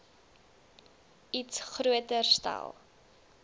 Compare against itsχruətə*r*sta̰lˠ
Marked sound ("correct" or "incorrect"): correct